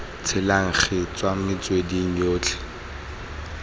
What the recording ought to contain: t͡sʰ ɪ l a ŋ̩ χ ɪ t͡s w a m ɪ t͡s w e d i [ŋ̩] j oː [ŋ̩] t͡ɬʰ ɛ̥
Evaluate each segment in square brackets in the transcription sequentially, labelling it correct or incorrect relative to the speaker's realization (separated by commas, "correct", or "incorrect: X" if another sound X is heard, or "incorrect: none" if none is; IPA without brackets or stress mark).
correct, incorrect: none